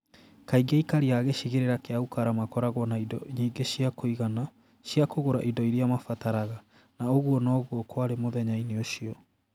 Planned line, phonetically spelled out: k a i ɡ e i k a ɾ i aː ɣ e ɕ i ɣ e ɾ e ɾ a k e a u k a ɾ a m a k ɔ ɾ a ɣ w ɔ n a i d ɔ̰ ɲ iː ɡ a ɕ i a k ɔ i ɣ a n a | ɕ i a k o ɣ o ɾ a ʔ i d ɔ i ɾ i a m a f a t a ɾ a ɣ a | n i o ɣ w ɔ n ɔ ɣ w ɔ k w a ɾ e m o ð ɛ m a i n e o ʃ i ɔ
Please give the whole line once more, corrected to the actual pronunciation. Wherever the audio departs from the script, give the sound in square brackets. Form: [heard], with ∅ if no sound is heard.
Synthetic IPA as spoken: k a i ɡ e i k a ɾ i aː ɣ e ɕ i ɣ e ɾ e ɾ a k e a u k a ɾ a m a k ɔ ɾ a ɣ w ɔ n a i d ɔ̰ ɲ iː ɡ [e] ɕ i a k [o] i ɣ a n a | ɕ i a k o ɣ o ɾ a ʔ i d ɔ i ɾ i a m a f a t a ɾ a ɣ a | n [a] o ɣ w ɔ n ɔ ɣ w ɔ k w a ɾ e m o ð ɛ [ɲ] a i n e o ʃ i ɔ

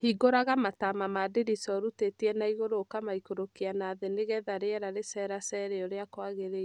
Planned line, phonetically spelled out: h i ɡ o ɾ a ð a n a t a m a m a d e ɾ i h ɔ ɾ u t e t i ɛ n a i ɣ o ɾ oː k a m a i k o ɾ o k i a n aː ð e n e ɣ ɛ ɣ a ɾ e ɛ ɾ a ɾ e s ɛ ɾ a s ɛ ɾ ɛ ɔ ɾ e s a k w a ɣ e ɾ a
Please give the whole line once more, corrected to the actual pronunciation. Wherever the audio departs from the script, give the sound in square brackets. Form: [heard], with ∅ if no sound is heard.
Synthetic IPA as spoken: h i ɡ o ɾ a [ɣ] a [m] a t a m a m a d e ɾ i [s] ɔ ɾ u t e t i ɛ n a i ɣ o ɾ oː k a m a i k o ɾ o k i a n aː ð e n e ɣ ɛ [ð] a ɾ e ɛ ɾ a ɾ e s ɛ ɾ a s ɛ ɾ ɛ ɔ ɾ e [∅] a k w a ɣ e ɾ [e]

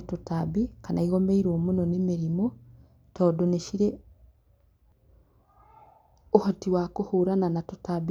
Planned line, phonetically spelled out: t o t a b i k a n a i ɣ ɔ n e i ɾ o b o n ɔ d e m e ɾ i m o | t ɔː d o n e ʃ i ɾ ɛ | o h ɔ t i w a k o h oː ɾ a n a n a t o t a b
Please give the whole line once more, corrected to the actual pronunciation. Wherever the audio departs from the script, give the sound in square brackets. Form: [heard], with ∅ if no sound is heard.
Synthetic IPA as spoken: t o t a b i k a n a i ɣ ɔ [m] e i ɾ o [m] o n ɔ [n] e m e ɾ i m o | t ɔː d o n e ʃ i ɾ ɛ | o h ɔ t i w a k o h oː ɾ a n a n a t o t a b

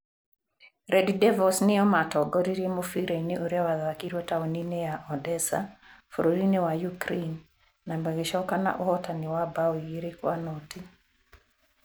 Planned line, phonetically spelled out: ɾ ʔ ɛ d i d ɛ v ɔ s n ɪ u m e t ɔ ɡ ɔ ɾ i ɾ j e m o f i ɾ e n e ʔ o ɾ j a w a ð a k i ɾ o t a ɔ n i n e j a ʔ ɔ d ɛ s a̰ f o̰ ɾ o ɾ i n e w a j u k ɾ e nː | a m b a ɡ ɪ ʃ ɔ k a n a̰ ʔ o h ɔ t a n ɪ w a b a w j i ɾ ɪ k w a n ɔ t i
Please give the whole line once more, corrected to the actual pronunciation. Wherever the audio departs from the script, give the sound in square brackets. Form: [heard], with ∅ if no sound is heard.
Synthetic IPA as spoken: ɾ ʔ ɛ d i d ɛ v ɔ s n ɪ [ɔ] m [a] t ɔ ɡ ɔ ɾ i ɾ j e m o f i ɾ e n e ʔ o ɾ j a w a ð a k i ɾ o t a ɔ n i n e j a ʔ ɔ d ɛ s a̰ f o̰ ɾ o ɾ i n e w a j u k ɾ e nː | a m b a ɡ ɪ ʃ ɔ k a n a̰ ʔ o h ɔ t a n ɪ w a b a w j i ɾ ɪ k w a n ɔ t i

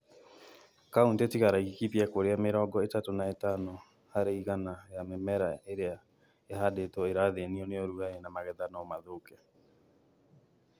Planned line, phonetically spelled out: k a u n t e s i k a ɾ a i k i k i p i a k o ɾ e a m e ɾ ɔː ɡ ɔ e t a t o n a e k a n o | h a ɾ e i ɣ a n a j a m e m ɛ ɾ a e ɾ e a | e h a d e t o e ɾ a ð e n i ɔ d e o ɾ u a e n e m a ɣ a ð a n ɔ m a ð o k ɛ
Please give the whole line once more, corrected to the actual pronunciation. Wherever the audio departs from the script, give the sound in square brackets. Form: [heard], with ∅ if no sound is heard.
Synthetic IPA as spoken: k a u n t e [t] i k a ɾ a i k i k i p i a k o ɾ e a m e ɾ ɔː ɡ ɔ e t a t o n a e [t] a n o | h a ɾ e i ɣ a n a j a m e m ɛ ɾ a e ɾ e a | e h a d e t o e ɾ a ð e n i ɔ [n] e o ɾ u a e n [a] m a ɣ [ɛ] ð a n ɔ m a ð o k ɛ

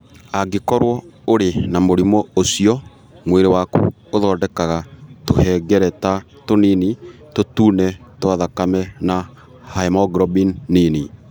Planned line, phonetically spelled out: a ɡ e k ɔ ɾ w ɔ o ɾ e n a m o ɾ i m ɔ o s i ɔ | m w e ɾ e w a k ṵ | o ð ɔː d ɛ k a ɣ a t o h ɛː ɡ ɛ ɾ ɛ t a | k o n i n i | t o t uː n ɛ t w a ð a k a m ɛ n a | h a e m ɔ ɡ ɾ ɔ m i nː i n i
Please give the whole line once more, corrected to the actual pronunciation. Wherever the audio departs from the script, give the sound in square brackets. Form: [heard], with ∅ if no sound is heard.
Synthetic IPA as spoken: a ɡ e k ɔ ɾ w ɔ o ɾ e n a m o ɾ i m ɔ o s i ɔ | m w e ɾ e w a k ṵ | o ð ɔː d ɛ k a ɣ a t o h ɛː ɡ ɛ ɾ ɛ t a | [t] o n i n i | t o t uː n ɛ t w a ð a k a m ɛ n a | h a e m ɔ ɡ ɾ ɔ [b] i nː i n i

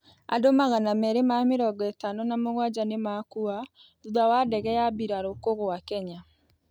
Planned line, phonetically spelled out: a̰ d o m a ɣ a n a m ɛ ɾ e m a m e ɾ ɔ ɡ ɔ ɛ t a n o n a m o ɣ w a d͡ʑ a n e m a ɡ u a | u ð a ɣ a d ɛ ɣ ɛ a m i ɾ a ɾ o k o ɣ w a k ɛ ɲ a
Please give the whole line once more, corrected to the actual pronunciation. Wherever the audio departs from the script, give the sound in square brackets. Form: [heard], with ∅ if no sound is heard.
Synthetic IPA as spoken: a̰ d o m a ɣ a n a m ɛ ɾ e m a m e ɾ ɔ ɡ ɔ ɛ t a n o n a m o ɣ w a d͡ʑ a n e m a [k] u a | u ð a [w] a d ɛ ɣ ɛ a [b] i ɾ a ɾ o k o ɣ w a k ɛ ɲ a

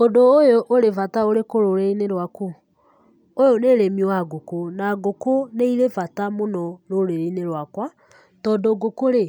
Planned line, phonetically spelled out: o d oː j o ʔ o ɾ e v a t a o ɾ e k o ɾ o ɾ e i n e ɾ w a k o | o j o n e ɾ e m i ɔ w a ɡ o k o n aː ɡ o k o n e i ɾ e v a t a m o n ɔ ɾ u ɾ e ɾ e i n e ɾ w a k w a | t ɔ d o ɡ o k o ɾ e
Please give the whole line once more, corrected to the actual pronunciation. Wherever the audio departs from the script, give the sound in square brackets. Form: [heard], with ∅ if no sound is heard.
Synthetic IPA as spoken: o d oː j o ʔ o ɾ e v a t a o ɾ e k o ɾ o ɾ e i n e ɾ w a k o | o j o n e ɾ e m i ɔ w a ɡ o k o n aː ɡ o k o n e i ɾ e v a t a m o n ɔ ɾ [o] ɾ e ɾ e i n e ɾ w a k w a | t ɔ d o ɡ o k o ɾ e

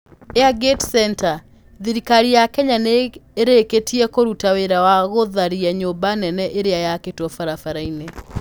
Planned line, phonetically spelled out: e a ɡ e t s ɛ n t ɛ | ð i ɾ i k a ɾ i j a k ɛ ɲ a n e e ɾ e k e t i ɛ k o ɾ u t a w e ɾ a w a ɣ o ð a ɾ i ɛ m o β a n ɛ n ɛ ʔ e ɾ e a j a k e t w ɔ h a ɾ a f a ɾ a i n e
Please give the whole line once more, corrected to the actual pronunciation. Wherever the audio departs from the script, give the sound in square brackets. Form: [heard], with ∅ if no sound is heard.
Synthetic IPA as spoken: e a ɡ e t s ɛ n t [a] | ð i ɾ i k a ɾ i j a k ɛ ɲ a n e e ɾ e k e t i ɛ k o ɾ u t a w e ɾ a w a ɣ o ð a ɾ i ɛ [ɲ] o [b] a n ɛ n ɛ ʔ e ɾ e a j a k e t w ɔ [f] a ɾ a f a ɾ a i n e

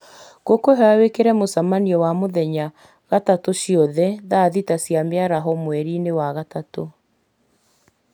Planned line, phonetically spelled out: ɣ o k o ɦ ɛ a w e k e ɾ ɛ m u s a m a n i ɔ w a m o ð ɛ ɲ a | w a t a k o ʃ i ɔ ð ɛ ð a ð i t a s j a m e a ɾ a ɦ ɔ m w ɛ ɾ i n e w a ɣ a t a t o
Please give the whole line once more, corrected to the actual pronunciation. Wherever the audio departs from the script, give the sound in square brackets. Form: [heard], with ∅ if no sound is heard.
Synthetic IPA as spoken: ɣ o k o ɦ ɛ a w e k e ɾ ɛ m [o] s a m a n i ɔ w a m o ð ɛ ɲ a | [ɣ] a t a [t] o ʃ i ɔ ð ɛ ð a ð i t a s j a m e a ɾ a ɦ ɔ m w ɛ ɾ i n e w a ɣ a t a t o

